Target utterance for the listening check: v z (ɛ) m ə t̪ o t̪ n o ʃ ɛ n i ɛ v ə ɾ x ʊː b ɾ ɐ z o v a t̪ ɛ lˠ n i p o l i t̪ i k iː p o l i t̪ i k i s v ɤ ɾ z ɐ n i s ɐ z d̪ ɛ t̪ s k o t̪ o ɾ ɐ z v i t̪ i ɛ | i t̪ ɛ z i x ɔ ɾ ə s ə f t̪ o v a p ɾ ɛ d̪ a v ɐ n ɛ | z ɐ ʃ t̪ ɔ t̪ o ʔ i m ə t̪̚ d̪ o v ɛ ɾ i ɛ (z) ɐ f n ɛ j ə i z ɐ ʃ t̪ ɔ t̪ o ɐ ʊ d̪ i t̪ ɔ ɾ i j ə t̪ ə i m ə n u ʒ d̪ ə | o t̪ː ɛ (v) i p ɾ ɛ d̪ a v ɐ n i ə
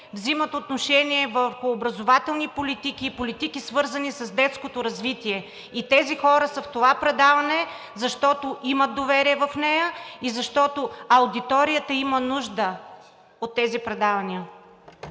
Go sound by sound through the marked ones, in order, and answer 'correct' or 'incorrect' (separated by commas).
incorrect, incorrect, incorrect